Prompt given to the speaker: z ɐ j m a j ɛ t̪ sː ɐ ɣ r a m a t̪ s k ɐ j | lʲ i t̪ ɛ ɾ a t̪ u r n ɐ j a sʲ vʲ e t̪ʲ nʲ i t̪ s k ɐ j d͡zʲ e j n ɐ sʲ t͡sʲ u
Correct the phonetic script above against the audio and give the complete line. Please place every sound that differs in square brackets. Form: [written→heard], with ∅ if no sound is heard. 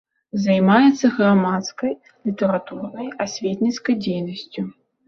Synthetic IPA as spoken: z [ɐ→a] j m a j ɛ t̪ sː ɐ ɣ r a m a t̪ s k ɐ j | lʲ i t̪ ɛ ɾ a t̪ u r n ɐ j a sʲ vʲ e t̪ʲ nʲ i t̪ s k ɐ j d͡zʲ e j n ɐ sʲ t͡sʲ u

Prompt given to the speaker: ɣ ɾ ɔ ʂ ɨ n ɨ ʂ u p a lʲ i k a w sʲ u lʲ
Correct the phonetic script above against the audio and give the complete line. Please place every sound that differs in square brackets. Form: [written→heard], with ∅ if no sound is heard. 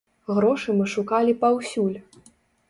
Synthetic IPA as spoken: ɣ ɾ ɔ ʂ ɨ [n→m] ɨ ʂ u [p→k] a lʲ i [k→p] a w sʲ u lʲ

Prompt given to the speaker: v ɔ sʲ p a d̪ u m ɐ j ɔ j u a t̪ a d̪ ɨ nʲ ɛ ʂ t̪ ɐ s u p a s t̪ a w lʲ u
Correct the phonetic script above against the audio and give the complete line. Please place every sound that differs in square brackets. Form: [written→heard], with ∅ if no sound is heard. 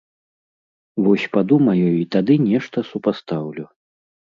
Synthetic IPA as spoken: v ɔ sʲ p a d̪ u m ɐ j ɔ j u [a→i] t̪ a d̪ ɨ nʲ ɛ ʂ t̪ ɐ s u p a s t̪ a w lʲ u

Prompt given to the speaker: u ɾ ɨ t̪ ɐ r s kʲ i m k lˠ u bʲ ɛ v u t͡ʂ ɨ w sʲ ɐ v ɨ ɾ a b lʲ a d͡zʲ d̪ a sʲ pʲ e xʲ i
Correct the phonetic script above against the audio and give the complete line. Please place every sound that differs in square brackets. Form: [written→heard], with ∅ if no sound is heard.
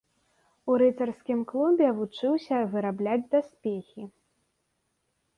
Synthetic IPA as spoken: u ɾ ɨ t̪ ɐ r s kʲ i m k lˠ u bʲ ɛ v u t͡ʂ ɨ w sʲ ɐ v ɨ ɾ a b lʲ a d͡zʲ d̪ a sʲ pʲ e xʲ i

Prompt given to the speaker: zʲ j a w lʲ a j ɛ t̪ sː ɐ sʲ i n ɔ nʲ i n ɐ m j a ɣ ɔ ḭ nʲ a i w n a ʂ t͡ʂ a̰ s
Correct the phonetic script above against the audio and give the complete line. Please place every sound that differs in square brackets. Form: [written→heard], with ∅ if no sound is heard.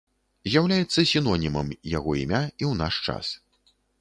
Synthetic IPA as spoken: zʲ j a w lʲ a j ɛ t̪ sː ɐ sʲ i n ɔ nʲ i [n→m] ɐ m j a ɣ ɔ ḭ [nʲ→mʲ] a i w n a ʂ t͡ʂ a̰ s

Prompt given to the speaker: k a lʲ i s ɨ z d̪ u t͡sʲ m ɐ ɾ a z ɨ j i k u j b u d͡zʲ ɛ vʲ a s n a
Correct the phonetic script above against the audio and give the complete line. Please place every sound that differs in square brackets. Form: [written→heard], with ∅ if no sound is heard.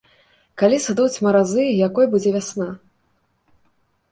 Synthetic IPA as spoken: k a lʲ i s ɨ [z→∅] d̪ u t͡sʲ m ɐ ɾ a z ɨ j [i→a] k [u→ɔ] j b u d͡zʲ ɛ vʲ a s n a

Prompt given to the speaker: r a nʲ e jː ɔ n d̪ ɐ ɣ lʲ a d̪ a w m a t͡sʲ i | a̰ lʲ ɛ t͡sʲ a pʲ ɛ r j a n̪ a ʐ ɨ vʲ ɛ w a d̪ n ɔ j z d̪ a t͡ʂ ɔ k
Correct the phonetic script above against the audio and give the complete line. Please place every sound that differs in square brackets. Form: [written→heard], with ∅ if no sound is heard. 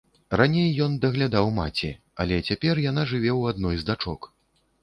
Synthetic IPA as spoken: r a nʲ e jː ɔ n d̪ ɐ ɣ lʲ a d̪ a w m a t͡sʲ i | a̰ lʲ ɛ t͡sʲ a pʲ ɛ r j a n̪ a ʐ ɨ vʲ ɛ w a d̪ n ɔ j z d̪ a t͡ʂ ɔ k

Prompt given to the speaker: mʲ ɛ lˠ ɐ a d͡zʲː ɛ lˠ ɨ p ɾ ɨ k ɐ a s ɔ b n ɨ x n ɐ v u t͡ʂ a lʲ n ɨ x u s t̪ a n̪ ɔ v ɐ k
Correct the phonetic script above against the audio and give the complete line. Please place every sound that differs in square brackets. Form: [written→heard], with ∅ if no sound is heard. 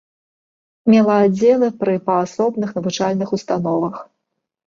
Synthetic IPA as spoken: mʲ ɛ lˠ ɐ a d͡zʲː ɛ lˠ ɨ p ɾ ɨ [k→p] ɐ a s ɔ b n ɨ x n ɐ v u t͡ʂ a lʲ n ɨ x u s t̪ a n̪ ɔ v ɐ [k→x]

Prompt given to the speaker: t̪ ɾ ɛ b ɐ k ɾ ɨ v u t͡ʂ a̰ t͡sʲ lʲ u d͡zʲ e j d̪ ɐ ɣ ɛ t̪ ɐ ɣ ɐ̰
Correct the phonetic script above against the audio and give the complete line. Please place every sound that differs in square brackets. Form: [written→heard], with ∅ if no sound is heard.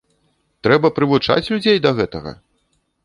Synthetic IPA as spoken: t̪ ɾ ɛ b ɐ [k→p] ɾ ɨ v u t͡ʂ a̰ t͡sʲ lʲ u d͡zʲ e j d̪ ɐ ɣ ɛ t̪ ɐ ɣ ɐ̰

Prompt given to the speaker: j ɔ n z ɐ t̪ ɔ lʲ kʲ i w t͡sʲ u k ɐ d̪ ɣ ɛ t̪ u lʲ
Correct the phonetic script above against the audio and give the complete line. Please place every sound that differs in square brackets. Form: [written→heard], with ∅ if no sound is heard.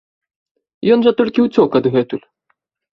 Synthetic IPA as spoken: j ɔ n [z→ʐ] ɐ t̪ ɔ lʲ kʲ i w t͡sʲ [u→ɔ] k ɐ d̪ ɣ ɛ t̪ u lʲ

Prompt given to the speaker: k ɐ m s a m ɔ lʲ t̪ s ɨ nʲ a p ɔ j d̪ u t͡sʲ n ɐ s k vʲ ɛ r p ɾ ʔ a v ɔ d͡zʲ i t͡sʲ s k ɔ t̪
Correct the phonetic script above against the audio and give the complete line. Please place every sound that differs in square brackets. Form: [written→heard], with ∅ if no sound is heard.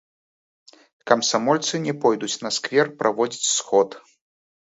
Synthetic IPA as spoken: k ɐ m s a m ɔ lʲ t̪ s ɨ nʲ [a→ɛ] p ɔ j d̪ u t͡sʲ n ɐ s k vʲ ɛ r p ɾ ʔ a v ɔ d͡zʲ i t͡sʲ s [k→x] ɔ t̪

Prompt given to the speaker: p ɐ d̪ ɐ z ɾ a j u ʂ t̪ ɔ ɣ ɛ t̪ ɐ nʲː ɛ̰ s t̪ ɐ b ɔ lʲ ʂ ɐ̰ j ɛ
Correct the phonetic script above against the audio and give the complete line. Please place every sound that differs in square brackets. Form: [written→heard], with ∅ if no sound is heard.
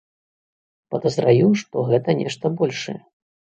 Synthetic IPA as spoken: p ɐ d̪ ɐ z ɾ a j u ʂ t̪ ɔ ɣ ɛ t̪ ɐ [nʲː→nʲ] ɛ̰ [s→ʂ] t̪ ɐ b ɔ lʲ ʂ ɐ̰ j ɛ

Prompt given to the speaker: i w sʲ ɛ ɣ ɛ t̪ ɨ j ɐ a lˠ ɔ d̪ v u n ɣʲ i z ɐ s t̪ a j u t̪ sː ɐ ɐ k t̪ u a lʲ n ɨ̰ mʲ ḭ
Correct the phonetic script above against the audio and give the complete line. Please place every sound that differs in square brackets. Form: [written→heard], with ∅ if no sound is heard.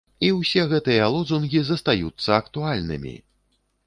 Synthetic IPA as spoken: i w sʲ ɛ ɣ ɛ t̪ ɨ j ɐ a lˠ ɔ d̪ [v→z] u n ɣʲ i z ɐ s t̪ a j u t̪ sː ɐ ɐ k t̪ u a lʲ n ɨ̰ mʲ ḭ

